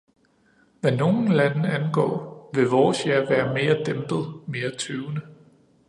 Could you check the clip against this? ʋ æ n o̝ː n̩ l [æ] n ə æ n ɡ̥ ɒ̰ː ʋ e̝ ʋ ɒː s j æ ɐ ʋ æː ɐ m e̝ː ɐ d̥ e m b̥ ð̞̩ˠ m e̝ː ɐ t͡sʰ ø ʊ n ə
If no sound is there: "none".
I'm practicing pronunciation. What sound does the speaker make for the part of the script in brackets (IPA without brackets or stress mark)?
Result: æ